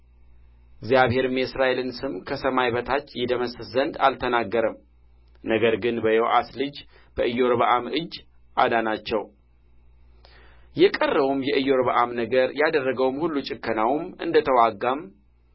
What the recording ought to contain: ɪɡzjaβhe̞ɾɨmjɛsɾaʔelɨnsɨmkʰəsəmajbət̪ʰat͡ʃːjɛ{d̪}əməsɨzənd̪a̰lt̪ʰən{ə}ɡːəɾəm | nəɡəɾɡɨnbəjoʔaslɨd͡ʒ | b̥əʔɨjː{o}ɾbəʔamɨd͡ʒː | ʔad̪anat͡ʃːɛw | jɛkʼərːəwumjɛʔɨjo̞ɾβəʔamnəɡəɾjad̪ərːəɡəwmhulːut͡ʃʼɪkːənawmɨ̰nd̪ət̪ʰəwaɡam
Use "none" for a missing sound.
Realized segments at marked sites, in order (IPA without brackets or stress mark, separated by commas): d̪, a, o